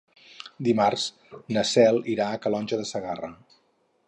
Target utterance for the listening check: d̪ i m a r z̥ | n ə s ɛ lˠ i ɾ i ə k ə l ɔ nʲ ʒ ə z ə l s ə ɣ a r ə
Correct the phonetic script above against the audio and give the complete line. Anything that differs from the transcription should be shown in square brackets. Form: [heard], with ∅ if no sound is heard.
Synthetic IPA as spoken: d̪ i m a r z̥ | n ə s ɛ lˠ i ɾ [a] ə k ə l ɔ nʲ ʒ ə [ð] ə [∅] s ə ɣ a r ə